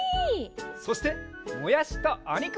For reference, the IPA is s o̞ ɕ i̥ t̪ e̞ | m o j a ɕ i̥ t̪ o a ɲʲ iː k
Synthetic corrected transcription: s o̞ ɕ i̥ t̪ e̞ | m o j a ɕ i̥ t̪ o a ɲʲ i k

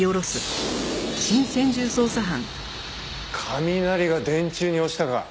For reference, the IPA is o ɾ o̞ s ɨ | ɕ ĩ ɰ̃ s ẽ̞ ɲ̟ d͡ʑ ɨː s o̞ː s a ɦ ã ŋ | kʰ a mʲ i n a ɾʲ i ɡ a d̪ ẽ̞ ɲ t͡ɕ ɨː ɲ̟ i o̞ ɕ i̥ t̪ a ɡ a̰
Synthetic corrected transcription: o ɾ o̞ s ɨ | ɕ ĩ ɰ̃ s ẽ̞ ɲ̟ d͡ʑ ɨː s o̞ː s a ɦ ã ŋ | kʰ a mʲ i n a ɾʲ i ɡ a d̪ ẽ̞ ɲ t͡ɕ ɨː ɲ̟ i o̞ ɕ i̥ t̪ a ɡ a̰

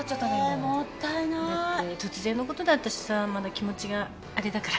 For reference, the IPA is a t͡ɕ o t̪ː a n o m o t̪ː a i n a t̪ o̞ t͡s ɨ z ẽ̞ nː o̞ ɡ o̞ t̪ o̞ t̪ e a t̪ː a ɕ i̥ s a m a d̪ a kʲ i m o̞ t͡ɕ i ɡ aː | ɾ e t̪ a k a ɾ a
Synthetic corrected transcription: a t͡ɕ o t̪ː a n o m o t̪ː a i n a t̪ o̞ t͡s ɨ z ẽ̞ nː o̞ k o̞ t̪ o̞ d̪ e a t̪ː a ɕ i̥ s a m a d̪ a kʲ i m o̞ t͡ɕ i ɡ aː | ɾ e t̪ a k a ɾ a

